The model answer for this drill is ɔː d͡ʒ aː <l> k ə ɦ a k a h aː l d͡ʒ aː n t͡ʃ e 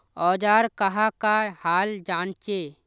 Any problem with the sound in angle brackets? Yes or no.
yes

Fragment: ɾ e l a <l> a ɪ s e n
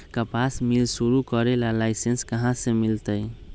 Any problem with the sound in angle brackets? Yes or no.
no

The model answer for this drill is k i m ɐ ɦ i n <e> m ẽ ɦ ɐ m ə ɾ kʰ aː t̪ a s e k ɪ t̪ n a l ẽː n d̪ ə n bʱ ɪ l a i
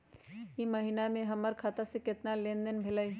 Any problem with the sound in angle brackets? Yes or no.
yes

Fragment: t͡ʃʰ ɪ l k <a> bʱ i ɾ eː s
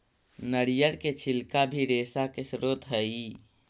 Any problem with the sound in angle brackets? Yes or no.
no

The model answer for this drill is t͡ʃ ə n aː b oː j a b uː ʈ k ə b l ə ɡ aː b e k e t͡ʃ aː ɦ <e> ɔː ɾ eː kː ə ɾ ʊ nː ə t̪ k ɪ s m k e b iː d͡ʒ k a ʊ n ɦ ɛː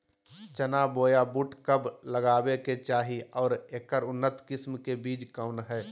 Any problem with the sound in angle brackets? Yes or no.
yes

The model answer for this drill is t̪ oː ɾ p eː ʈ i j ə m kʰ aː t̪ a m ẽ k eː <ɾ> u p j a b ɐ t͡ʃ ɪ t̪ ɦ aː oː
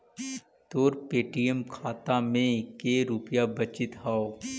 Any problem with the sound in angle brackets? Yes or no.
no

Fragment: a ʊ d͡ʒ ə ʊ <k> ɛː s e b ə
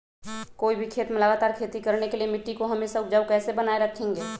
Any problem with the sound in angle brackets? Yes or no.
no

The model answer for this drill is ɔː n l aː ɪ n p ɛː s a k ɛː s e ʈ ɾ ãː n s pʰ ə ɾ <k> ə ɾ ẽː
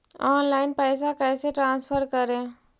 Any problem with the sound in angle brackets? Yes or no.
no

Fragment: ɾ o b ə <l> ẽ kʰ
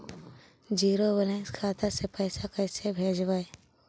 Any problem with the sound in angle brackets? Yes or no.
no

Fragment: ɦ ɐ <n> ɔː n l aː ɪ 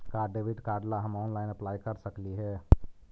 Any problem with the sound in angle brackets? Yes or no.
yes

